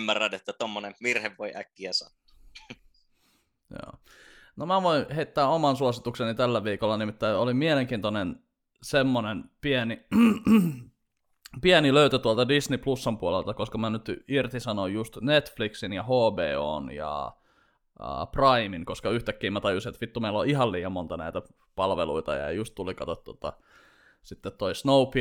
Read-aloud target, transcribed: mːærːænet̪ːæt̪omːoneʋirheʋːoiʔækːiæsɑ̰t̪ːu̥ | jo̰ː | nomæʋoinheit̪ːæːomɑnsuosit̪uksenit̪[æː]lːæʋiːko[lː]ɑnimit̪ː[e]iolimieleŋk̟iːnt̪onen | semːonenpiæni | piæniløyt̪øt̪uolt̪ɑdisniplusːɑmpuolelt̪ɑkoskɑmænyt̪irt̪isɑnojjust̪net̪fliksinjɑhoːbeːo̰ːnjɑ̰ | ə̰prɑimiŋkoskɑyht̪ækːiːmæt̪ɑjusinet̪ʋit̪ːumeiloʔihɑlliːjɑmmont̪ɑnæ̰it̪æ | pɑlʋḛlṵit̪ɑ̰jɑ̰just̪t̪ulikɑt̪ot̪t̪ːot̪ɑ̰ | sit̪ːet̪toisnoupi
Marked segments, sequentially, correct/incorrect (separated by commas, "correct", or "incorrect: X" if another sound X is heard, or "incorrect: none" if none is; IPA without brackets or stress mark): incorrect: æ, correct, incorrect: æ